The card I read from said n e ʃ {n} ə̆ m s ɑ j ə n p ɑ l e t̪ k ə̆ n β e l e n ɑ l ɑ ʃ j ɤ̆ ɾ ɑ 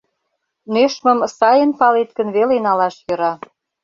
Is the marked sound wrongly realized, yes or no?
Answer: yes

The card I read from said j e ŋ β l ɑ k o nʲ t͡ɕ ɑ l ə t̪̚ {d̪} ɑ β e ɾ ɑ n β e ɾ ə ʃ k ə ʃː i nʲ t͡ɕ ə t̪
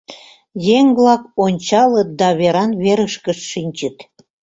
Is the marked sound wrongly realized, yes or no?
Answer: no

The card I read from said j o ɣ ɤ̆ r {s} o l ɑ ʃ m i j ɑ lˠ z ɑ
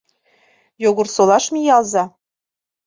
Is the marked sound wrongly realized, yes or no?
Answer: no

